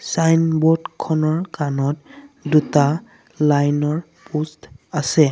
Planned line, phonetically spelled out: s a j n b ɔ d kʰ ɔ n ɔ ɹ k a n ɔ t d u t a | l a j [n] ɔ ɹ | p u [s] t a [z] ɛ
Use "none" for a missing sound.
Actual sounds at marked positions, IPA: n, s, s

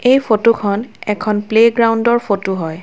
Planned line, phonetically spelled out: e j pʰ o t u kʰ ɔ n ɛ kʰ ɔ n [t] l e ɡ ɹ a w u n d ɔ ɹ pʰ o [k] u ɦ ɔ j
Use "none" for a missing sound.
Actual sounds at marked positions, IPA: p, t

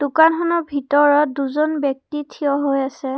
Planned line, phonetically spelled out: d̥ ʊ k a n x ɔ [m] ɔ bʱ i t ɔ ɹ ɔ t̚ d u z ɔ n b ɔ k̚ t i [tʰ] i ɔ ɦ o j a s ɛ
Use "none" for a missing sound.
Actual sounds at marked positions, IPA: n, tʰ

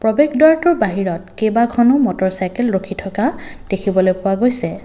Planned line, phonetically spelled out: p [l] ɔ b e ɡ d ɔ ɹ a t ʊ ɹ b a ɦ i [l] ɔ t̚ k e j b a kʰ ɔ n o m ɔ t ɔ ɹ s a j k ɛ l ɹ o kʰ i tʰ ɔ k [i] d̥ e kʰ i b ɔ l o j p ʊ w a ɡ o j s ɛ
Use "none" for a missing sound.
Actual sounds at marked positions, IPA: ɹ, ɹ, a

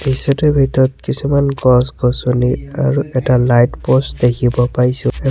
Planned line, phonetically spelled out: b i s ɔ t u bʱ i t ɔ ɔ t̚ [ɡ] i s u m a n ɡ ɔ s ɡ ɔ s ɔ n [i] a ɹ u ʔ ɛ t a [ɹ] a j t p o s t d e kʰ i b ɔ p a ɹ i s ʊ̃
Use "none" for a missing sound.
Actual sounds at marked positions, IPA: k, i, l

